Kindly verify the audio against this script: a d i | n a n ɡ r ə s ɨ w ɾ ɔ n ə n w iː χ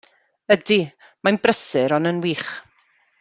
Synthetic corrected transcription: ə d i | m a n b r ə s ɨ ɾ ɔ n ə n w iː χ